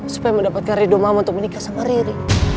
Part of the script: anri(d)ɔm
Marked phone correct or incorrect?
correct